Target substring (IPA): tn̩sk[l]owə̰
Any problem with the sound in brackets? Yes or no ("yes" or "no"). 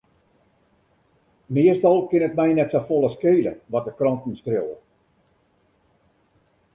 yes